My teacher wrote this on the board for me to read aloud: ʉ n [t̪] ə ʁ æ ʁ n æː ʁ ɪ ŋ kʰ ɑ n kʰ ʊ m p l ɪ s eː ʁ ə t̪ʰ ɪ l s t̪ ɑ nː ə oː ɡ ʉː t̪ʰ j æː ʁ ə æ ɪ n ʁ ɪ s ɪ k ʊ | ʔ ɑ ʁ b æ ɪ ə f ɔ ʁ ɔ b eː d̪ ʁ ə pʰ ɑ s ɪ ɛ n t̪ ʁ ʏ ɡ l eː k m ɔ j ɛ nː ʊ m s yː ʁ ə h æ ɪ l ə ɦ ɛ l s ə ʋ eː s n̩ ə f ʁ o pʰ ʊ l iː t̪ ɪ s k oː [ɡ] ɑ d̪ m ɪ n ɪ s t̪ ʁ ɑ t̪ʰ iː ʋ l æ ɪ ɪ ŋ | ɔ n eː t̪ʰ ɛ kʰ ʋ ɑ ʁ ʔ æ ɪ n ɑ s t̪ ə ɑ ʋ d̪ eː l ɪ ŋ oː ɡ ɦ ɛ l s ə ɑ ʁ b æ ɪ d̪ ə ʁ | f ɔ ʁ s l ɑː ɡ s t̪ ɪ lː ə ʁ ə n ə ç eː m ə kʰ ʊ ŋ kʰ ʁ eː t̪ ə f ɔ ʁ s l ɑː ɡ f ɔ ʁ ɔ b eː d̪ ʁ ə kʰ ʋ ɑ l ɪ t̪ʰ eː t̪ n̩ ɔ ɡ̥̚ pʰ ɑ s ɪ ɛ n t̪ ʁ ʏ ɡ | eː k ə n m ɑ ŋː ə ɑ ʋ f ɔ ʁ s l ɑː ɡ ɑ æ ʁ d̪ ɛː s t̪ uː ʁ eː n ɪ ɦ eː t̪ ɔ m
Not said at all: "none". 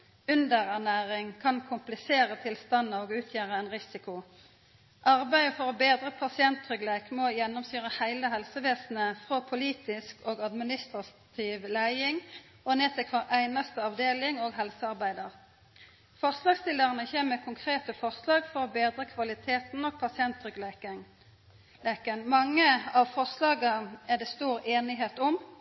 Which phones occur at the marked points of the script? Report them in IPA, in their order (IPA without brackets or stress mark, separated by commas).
d̪, ɡ